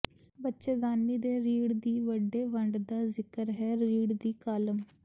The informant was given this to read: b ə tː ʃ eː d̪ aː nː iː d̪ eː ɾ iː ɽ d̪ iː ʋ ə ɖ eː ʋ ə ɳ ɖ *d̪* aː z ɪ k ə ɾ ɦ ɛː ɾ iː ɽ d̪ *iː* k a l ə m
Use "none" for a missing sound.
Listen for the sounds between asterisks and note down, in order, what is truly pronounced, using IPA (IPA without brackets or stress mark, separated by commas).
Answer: d̪, iː